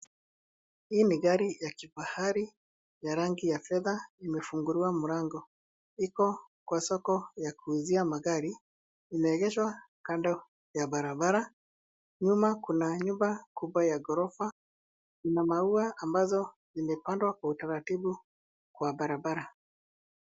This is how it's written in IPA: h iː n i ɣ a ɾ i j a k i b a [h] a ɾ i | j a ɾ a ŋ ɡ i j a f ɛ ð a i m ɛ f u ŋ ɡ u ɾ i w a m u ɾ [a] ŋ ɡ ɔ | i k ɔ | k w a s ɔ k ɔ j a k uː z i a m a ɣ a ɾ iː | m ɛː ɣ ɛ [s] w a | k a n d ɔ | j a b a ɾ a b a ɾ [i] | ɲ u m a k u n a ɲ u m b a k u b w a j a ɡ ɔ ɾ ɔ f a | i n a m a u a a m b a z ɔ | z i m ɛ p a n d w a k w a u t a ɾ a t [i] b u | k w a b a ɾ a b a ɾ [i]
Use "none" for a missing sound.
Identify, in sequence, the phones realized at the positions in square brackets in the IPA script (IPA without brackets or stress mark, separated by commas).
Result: h, a, ʃ, a, i, a